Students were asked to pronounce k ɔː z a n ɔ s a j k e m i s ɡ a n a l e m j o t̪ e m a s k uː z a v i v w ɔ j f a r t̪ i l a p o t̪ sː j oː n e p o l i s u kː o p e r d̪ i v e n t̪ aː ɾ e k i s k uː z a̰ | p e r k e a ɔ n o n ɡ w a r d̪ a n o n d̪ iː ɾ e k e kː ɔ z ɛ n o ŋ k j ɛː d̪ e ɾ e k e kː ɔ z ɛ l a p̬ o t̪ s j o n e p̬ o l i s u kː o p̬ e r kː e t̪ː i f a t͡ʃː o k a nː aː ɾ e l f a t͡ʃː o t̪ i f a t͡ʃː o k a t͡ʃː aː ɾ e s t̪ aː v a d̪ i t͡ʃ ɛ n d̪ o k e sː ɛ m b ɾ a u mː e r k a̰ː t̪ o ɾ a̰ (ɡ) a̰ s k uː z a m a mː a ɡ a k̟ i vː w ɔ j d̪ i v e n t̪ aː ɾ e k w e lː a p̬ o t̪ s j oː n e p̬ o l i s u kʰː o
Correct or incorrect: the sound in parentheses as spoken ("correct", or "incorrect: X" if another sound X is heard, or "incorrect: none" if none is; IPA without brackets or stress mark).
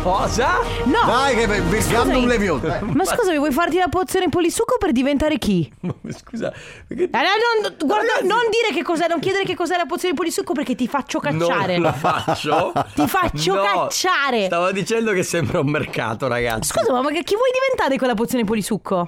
correct